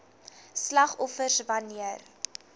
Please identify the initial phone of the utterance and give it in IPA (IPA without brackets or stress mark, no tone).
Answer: s